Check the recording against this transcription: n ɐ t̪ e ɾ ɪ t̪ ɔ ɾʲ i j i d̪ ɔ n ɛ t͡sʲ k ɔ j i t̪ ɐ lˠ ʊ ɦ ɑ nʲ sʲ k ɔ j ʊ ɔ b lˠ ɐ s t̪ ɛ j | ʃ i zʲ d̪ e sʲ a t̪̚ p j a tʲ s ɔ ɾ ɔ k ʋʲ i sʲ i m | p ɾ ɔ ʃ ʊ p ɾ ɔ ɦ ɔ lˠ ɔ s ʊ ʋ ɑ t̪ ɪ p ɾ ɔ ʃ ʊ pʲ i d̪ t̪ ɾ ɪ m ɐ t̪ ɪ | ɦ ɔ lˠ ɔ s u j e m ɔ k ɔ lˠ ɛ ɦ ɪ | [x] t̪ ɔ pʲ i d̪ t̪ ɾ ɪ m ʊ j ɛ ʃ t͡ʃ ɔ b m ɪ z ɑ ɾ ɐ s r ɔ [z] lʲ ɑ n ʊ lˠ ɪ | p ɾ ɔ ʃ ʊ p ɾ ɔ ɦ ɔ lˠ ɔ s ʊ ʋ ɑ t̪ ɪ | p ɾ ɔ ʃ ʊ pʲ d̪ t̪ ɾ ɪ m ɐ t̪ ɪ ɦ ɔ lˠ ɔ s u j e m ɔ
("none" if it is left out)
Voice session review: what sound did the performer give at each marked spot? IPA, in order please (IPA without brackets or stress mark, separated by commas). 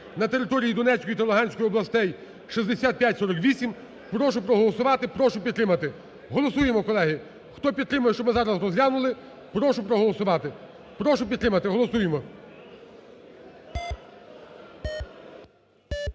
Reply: x, z